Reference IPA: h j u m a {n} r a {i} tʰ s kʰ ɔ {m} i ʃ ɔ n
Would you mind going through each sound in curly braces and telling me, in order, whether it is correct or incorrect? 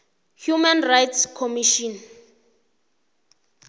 correct, incorrect: j, correct

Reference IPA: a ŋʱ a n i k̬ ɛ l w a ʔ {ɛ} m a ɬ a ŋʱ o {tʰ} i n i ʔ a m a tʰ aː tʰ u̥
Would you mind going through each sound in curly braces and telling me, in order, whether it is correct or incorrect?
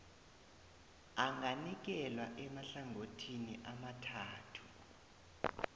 correct, correct

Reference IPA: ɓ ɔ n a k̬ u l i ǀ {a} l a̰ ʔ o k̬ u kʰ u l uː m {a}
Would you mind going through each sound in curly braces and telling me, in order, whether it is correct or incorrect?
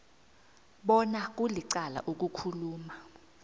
correct, correct

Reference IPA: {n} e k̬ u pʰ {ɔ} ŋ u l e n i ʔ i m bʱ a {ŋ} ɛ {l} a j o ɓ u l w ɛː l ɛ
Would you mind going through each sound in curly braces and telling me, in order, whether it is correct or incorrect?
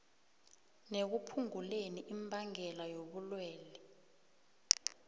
correct, incorrect: u, correct, correct

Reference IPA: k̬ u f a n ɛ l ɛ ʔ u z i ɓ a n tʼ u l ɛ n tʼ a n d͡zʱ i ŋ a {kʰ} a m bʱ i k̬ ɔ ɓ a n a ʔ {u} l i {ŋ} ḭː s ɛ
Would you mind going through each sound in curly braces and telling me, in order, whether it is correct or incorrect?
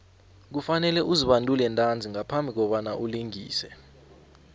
incorrect: pʰ, correct, correct

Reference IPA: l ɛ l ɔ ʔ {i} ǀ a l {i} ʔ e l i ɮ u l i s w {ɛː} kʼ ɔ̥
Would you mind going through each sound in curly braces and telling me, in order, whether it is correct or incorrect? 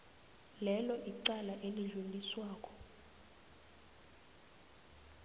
correct, incorrect: a, incorrect: aː

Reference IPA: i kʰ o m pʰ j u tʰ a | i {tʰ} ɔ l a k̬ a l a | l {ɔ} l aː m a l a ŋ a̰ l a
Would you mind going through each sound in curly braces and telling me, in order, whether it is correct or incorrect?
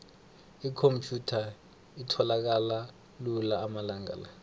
correct, incorrect: u

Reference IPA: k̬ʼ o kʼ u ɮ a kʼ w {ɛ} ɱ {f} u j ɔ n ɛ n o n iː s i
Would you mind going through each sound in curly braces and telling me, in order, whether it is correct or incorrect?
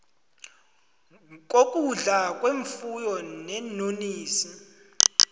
incorrect: e, correct

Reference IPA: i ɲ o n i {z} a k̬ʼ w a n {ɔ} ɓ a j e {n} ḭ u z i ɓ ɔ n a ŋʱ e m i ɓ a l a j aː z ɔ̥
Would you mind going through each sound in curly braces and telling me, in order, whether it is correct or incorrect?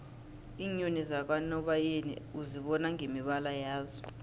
correct, correct, correct

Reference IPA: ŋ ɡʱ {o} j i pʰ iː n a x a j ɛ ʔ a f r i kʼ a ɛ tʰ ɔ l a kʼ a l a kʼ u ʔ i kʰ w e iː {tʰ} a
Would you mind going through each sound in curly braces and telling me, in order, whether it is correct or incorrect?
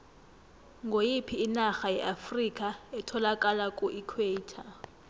correct, correct

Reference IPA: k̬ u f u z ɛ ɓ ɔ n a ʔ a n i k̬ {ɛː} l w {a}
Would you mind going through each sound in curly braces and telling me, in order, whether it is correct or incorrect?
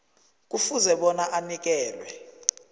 correct, incorrect: ɛ

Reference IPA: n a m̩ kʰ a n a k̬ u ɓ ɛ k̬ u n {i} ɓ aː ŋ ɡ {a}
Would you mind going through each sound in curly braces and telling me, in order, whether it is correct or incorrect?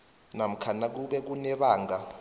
incorrect: ɛ, correct

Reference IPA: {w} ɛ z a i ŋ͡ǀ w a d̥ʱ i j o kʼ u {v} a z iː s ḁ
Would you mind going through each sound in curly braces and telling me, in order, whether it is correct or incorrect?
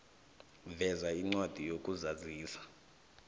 incorrect: v, incorrect: z

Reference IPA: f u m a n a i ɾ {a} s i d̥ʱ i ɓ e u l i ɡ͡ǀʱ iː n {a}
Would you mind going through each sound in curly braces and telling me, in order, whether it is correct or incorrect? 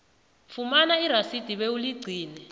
correct, incorrect: ɛ

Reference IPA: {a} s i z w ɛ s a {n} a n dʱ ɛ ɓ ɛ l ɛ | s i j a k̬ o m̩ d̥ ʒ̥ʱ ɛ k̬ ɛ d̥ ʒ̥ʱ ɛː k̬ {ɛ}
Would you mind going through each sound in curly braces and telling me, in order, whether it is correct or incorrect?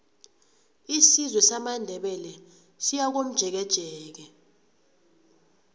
incorrect: i, incorrect: m, correct

